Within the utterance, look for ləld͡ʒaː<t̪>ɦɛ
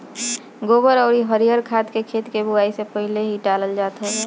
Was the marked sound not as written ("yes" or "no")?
no